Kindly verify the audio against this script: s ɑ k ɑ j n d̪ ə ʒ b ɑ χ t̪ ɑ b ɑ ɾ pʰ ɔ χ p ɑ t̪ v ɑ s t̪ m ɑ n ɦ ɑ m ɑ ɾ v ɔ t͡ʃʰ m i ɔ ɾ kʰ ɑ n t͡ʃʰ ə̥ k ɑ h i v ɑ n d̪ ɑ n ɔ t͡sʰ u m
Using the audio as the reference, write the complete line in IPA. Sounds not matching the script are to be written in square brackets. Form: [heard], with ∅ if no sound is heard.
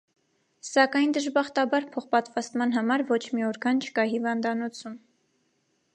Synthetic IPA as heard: s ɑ k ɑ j n d̪ ə ʒ b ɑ χ t̪ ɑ b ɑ ɾ pʰ ɔ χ p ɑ t̪ v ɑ s t̪ m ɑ n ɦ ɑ m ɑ ɾ v ɔ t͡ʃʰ m i ɔ ɾ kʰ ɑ n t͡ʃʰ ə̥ k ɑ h i v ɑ n d̪ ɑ n ɔ t͡sʰ u m